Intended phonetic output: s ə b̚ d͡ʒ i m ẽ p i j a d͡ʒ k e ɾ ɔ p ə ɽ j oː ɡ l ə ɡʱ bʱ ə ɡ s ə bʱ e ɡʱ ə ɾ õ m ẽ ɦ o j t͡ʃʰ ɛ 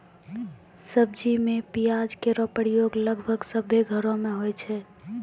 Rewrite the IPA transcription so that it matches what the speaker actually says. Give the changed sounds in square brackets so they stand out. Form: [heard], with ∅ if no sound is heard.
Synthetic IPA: s ə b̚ d͡ʒ i m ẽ p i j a d͡ʒ k e ɾ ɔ p ə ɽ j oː ɡ l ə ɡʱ bʱ ə ɡ s ə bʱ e ɡʱ ə ɾ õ m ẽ ɦ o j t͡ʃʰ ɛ